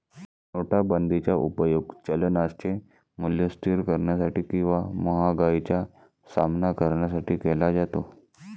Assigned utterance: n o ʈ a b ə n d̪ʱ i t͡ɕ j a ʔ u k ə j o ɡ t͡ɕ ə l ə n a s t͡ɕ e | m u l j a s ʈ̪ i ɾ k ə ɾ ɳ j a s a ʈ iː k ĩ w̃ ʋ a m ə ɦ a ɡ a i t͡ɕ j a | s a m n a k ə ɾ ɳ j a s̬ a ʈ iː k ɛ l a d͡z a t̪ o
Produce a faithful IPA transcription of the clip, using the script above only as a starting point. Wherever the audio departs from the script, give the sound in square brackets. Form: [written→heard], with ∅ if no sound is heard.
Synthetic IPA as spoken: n o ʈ a b ə n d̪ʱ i t͡ɕ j a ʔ u [k→p] ə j o ɡ t͡ɕ ə l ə n a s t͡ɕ e | m u l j [a→ə] s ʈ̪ i ɾ k ə ɾ ɳ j a s a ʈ iː k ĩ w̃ ʋ a m ə ɦ a ɡ a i t͡ɕ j a | s a m n a k ə ɾ ɳ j a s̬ a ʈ iː k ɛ l a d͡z a t̪ o